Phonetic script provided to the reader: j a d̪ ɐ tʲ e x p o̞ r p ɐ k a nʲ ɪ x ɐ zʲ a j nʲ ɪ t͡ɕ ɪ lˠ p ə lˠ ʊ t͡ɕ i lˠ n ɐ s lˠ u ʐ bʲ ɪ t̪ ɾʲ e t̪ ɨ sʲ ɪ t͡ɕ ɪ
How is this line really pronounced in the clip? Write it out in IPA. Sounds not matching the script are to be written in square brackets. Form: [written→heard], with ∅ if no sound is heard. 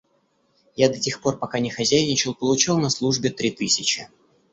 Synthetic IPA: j a d̪ ɐ tʲ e x p o̞ r p ɐ k a nʲ ɪ x ɐ zʲ [a→æ] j nʲ ɪ t͡ɕ ɪ lˠ p ə lˠ ʊ t͡ɕ i lˠ n ɐ s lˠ u ʐ bʲ ɪ t̪ ɾʲ [e→i] t̪ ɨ sʲ ɪ t͡ɕ ɪ